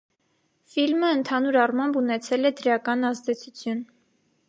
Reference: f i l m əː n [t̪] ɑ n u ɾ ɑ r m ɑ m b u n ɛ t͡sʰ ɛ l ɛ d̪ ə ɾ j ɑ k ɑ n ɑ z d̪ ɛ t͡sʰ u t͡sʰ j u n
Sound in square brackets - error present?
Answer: yes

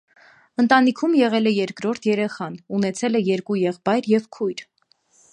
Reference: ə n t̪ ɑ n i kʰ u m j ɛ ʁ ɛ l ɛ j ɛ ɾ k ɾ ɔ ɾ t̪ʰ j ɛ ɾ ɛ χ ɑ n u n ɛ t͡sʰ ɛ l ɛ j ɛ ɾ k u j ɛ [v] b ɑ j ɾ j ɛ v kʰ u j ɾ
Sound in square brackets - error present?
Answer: yes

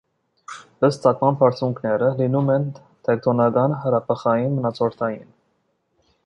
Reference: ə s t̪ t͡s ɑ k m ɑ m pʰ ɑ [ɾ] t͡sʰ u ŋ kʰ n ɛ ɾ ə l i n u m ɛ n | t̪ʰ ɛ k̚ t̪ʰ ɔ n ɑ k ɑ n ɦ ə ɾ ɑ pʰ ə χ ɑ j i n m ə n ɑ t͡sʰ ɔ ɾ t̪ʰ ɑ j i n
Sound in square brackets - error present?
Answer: no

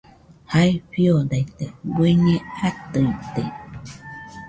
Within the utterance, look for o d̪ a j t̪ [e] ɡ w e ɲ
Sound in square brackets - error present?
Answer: no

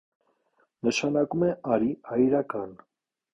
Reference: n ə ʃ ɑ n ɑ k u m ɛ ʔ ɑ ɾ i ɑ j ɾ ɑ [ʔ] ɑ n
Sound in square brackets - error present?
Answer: yes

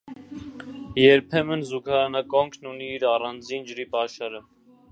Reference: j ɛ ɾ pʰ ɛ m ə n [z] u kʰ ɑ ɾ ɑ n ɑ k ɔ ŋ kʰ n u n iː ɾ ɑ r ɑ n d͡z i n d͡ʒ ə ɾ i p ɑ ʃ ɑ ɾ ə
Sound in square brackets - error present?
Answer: no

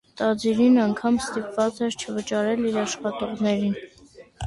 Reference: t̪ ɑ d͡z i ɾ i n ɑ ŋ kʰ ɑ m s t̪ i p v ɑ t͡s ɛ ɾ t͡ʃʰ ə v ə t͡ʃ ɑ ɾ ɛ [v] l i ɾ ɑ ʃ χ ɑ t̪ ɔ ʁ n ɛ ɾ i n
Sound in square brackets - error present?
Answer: yes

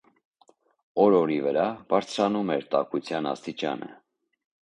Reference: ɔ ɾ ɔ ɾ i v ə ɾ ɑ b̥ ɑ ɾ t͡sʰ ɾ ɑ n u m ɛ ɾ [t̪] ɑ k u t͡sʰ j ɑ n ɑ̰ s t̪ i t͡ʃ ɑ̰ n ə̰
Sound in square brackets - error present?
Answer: no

